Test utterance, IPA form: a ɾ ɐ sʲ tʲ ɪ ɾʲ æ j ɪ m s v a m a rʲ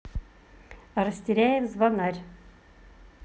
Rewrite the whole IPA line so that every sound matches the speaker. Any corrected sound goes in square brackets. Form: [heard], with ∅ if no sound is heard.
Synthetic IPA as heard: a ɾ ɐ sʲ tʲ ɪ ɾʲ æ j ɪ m [z] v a [n] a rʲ